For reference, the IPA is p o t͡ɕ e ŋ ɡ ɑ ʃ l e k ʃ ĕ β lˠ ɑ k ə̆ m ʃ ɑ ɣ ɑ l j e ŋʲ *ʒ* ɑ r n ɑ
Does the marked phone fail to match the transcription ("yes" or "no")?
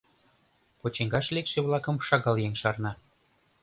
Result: yes